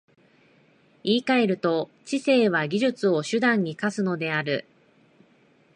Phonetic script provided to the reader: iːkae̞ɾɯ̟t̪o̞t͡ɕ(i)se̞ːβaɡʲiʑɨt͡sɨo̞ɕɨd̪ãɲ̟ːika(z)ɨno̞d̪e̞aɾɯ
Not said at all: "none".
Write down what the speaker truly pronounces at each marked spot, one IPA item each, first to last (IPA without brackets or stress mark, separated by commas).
i, s